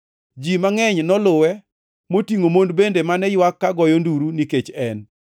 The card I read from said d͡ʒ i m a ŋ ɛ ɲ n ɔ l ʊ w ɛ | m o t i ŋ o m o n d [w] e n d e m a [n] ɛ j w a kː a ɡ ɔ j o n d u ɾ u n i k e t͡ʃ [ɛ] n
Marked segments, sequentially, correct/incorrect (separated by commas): incorrect, correct, correct